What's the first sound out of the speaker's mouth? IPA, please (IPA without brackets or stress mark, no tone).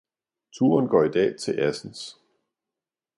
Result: t͡sʰ